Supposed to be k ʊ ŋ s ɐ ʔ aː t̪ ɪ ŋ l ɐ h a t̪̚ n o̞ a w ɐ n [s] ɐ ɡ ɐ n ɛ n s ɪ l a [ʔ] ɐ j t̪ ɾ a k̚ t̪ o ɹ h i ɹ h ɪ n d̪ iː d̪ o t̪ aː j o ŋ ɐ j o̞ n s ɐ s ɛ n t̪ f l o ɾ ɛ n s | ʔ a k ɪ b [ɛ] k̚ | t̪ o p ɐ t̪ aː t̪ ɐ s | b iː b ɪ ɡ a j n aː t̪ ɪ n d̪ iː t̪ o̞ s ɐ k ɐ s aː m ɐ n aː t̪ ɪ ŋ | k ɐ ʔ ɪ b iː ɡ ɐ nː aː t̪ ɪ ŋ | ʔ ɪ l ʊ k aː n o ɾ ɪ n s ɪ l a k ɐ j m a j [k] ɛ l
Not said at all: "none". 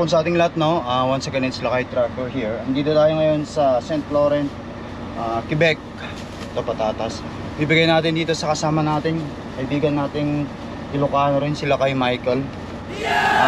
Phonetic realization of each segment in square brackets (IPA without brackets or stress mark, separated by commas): s, k, ɛ, k